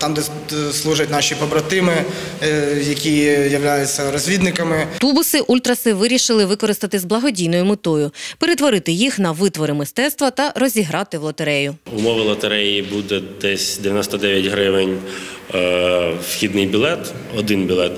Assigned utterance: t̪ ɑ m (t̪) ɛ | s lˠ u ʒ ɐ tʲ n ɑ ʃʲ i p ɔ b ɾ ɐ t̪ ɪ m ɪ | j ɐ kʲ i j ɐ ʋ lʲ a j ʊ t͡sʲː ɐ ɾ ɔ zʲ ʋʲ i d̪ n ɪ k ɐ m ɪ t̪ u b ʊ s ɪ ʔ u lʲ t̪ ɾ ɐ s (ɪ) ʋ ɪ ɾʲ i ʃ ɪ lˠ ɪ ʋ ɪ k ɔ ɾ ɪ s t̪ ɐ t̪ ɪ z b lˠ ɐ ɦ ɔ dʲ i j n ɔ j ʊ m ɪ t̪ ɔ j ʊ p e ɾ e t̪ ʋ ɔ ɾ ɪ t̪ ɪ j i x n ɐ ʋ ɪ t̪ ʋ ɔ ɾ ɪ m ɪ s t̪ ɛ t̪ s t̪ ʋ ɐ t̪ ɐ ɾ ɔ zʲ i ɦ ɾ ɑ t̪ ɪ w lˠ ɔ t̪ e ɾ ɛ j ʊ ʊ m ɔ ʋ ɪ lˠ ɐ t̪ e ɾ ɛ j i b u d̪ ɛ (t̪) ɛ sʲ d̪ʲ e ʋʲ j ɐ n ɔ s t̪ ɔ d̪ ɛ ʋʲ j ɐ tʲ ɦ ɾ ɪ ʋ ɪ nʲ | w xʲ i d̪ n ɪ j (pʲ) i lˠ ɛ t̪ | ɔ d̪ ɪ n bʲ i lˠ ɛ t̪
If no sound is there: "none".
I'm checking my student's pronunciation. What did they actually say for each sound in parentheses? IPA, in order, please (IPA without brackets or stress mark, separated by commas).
d̪, ɪ, d̪, bʲ